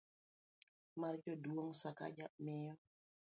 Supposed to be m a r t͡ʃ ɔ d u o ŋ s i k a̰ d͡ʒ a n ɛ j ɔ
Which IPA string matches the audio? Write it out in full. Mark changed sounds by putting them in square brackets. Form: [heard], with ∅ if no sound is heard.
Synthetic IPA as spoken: m a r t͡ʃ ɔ d u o ŋ s [a] k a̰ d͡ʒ a [m] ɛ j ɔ